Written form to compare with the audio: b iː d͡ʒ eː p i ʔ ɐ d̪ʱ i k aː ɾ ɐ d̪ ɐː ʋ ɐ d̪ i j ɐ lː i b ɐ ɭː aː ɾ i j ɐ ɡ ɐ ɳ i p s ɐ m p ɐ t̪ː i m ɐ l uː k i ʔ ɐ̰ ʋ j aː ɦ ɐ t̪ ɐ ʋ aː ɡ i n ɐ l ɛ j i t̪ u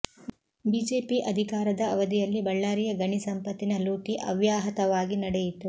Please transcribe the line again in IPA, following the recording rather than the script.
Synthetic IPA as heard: b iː d͡ʒ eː p i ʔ ɐ d̪ʱ i k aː ɾ ɐ d̪ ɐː ʋ ɐ d̪ i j ɐ lː i b ɐ ɭː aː ɾ i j ɐ ɡ ɐ ɳ i s ɐ m p ɐ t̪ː i n ɐ l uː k i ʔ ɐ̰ ʋ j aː ɦ ɐ t̪ ɐ ʋ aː ɡ i n ɐ ɽ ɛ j i t̪ u